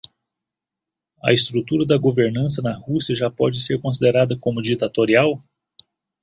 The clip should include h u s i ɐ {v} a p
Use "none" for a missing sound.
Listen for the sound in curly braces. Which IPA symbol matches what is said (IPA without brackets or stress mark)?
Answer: ʒ